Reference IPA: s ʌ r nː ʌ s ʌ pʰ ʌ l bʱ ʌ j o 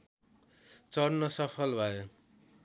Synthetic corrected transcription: t͡s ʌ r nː ʌ s ʌ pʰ ʌ l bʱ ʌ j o